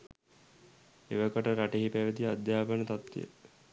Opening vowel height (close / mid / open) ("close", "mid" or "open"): mid